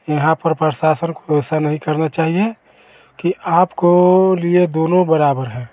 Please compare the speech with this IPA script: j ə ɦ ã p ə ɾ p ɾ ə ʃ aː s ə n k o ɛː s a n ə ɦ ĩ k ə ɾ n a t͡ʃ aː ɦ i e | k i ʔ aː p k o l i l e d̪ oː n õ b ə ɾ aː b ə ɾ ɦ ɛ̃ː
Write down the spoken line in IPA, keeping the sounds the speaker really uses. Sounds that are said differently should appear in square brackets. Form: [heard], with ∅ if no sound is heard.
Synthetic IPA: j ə ɦ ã p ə ɾ p ɾ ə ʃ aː s ə n k o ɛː s a n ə ɦ ĩ k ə ɾ n a t͡ʃ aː ɦ i e | k i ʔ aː p k o l i [∅] e d̪ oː n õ b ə ɾ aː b ə ɾ ɦ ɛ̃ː